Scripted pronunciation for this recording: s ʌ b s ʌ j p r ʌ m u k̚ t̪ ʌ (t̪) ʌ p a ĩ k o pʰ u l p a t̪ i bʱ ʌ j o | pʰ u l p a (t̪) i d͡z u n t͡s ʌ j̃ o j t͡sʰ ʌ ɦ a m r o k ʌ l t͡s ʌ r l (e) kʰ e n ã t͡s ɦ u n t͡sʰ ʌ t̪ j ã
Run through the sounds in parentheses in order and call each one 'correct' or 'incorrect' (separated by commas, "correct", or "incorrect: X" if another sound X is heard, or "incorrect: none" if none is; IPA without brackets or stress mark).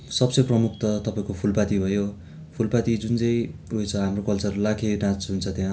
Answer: correct, correct, incorrect: a